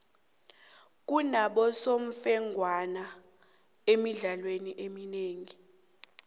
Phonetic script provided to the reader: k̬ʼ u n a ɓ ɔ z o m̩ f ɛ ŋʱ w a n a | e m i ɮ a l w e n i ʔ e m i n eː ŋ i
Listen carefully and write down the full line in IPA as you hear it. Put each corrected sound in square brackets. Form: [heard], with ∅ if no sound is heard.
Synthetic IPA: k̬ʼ u n a ɓ ɔ [s] o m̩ f ɛ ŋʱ w a n a | e m i ɮ a l w e n i ʔ e m i n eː ŋ i